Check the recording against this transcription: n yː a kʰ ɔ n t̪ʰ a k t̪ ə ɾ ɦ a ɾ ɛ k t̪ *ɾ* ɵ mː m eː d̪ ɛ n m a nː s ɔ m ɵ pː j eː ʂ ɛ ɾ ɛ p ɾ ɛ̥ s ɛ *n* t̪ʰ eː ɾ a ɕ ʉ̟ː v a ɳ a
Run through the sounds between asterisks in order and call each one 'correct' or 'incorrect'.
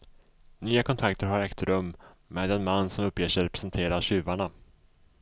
correct, correct

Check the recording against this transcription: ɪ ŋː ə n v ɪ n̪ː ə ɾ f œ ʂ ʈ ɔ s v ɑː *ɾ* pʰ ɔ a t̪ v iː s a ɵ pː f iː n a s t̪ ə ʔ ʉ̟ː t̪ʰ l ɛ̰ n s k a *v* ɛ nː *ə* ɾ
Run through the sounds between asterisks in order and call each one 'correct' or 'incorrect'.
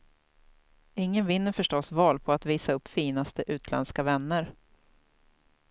incorrect, correct, correct

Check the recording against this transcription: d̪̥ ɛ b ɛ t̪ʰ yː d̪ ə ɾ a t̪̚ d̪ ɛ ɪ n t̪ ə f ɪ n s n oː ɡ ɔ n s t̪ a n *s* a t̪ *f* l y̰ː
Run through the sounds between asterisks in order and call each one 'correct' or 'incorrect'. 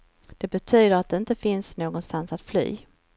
correct, correct

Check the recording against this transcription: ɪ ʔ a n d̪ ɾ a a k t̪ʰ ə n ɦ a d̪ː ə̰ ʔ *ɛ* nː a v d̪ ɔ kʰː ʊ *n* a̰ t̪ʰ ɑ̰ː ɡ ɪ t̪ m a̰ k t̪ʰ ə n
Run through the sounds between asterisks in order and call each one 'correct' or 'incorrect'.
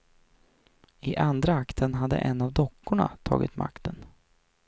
correct, incorrect

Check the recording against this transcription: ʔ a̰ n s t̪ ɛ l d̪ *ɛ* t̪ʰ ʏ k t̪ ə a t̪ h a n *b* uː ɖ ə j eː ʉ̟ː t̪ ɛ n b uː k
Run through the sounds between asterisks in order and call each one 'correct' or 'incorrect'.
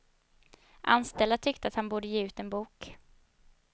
incorrect, correct

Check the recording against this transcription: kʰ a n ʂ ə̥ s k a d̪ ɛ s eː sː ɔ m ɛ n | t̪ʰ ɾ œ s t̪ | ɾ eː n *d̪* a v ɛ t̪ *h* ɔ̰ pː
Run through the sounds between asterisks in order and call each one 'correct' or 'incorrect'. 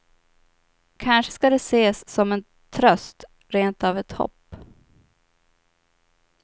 incorrect, correct

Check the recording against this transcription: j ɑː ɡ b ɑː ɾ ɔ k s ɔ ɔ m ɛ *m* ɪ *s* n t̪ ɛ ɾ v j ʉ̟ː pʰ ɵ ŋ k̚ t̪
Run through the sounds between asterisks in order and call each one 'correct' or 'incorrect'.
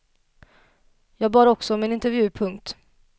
incorrect, incorrect

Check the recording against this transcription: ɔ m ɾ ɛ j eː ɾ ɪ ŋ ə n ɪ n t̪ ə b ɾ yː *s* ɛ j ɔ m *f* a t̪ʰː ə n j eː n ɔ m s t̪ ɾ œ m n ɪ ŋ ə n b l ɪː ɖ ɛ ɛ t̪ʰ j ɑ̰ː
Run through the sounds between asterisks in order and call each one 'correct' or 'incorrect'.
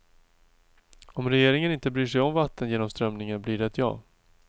incorrect, incorrect

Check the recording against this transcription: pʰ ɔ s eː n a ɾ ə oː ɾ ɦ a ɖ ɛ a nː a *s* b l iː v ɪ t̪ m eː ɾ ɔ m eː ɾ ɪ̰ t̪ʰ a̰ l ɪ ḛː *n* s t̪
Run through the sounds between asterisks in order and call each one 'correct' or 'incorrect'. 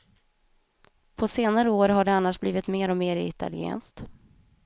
incorrect, correct

